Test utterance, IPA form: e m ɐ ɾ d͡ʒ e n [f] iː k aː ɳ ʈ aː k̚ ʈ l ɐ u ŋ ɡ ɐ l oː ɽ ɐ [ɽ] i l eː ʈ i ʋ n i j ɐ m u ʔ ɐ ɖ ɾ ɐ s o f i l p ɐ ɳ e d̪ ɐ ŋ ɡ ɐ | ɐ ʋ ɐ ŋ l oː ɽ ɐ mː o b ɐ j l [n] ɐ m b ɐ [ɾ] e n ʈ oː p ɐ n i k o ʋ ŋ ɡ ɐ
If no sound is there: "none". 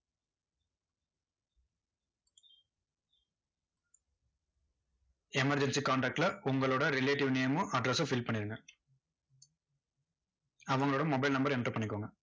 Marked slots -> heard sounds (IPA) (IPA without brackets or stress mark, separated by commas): s, ɾ, n, ɾ